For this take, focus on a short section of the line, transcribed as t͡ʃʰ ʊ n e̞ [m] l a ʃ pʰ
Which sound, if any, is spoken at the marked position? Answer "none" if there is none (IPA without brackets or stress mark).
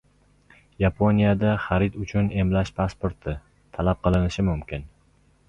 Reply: m